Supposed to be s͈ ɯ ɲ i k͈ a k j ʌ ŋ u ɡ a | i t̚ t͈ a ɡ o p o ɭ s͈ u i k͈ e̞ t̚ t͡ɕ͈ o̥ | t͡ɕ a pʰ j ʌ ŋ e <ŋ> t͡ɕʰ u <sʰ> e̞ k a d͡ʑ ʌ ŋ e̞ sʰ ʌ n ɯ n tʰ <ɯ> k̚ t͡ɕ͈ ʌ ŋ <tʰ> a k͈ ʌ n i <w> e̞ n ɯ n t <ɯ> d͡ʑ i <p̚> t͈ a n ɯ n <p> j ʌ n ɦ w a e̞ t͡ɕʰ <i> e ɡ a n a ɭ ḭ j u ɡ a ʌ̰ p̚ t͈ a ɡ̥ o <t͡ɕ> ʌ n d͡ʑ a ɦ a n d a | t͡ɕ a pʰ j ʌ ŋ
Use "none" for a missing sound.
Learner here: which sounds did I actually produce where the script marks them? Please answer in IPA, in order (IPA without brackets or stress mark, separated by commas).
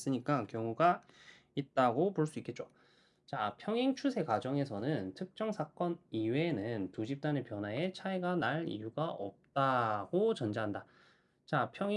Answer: ŋ, sʰ, ɯ, sʰ, w, u, p̚, p, a, t͡ɕ